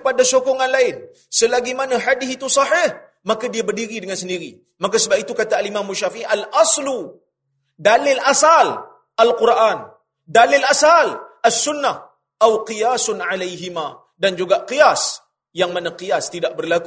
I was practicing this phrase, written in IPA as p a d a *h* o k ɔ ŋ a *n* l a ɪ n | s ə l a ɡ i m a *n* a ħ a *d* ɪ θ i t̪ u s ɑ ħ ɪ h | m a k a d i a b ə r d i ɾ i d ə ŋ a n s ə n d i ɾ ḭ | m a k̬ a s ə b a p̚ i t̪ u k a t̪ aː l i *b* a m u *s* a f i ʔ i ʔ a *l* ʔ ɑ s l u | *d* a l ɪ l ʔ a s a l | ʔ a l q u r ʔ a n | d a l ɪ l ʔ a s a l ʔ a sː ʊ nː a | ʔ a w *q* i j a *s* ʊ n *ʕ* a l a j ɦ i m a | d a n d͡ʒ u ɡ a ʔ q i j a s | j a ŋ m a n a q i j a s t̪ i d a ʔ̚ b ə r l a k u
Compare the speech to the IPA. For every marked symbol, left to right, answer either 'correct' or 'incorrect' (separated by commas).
incorrect, correct, correct, correct, incorrect, incorrect, correct, correct, correct, correct, correct